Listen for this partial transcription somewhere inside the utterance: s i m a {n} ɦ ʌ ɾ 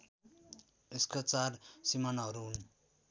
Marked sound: correct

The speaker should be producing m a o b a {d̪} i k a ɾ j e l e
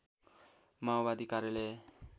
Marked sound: correct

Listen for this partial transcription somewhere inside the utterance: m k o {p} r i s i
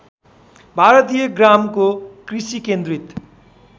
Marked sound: incorrect: k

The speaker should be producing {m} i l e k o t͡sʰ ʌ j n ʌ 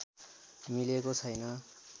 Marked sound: correct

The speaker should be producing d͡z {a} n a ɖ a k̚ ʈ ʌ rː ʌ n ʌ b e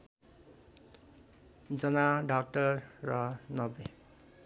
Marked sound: incorrect: ʌ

